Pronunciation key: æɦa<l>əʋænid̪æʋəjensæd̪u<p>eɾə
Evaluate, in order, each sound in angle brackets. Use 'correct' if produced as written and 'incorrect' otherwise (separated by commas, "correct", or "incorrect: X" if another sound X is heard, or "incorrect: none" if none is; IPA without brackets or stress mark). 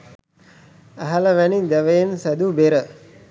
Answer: correct, incorrect: b